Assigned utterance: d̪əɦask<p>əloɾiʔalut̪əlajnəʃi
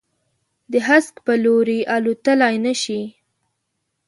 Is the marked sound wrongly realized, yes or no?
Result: no